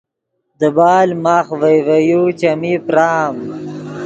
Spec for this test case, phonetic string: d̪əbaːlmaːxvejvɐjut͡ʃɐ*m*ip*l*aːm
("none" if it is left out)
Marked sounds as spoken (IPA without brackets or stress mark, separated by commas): m, ɾ